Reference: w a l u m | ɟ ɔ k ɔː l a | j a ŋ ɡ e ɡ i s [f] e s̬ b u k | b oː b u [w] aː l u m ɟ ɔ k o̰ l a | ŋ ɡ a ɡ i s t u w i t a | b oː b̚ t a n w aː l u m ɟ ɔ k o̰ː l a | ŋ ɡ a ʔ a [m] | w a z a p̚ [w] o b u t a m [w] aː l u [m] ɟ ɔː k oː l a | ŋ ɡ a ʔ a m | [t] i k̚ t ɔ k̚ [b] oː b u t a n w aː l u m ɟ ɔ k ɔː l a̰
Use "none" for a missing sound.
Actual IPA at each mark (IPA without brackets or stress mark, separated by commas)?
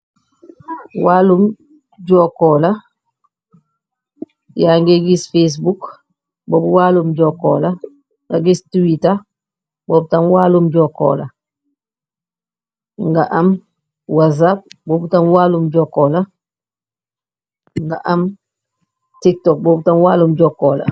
f, w, m, b, w, m, t, b